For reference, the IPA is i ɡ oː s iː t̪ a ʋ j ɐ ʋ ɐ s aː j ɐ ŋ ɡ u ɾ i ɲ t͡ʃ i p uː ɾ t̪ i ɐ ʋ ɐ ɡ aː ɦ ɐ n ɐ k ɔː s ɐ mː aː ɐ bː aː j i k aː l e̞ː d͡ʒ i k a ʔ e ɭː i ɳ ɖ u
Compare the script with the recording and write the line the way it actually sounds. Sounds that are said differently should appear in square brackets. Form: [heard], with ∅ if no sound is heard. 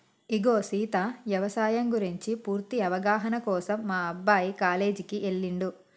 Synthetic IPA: i ɡ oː s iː t̪ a ʋ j ɐ ʋ ɐ s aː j ɐ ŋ ɡ u ɾ i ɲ t͡ʃ i p uː ɾ t̪ i ɐ ʋ ɐ ɡ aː ɦ ɐ n ɐ k ɔː s ɐ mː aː ɐ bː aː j i k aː l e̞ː d͡ʒ i k [i] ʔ e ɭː i ɳ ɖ u